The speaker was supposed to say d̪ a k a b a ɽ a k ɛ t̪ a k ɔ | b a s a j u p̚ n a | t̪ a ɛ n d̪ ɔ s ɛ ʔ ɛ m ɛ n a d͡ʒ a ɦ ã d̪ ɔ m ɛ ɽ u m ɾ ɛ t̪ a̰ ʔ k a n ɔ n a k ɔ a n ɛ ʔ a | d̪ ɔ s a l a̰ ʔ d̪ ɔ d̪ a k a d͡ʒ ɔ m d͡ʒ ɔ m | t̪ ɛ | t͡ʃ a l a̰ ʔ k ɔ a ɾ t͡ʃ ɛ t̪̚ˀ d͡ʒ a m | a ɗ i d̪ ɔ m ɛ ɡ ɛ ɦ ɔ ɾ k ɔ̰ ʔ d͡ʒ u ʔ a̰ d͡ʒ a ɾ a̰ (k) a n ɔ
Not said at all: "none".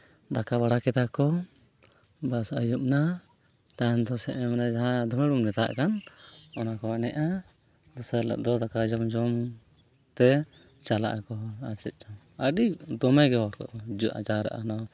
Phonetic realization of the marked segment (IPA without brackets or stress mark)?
ʔ